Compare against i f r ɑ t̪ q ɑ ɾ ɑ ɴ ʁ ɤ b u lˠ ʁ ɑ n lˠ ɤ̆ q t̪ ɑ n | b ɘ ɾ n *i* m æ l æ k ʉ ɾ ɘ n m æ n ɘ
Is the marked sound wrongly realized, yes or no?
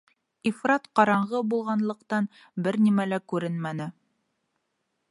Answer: no